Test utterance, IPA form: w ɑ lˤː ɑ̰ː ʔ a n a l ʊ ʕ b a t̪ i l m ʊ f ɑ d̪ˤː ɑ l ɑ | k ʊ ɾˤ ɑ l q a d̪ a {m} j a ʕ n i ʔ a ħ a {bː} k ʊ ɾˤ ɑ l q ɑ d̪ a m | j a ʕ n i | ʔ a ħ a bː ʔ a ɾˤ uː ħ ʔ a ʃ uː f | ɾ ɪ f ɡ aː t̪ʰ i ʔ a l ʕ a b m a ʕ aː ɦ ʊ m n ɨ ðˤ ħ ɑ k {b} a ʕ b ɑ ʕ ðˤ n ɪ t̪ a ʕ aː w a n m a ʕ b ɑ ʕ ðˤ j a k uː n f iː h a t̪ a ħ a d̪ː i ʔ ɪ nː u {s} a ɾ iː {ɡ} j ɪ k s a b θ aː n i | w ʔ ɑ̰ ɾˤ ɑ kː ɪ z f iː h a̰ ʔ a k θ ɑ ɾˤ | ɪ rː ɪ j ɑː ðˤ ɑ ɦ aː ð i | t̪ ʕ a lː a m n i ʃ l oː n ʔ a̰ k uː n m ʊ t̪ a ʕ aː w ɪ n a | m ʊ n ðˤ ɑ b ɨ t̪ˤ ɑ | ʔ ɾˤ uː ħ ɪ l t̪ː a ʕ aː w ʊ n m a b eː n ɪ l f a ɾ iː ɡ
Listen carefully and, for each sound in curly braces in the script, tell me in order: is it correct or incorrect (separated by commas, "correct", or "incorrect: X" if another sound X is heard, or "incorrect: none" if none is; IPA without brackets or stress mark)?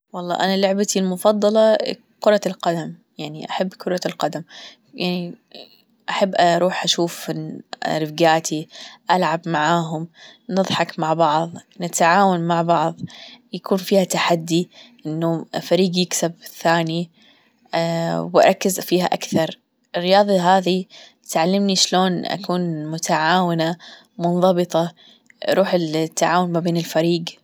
correct, correct, incorrect: m, incorrect: f, correct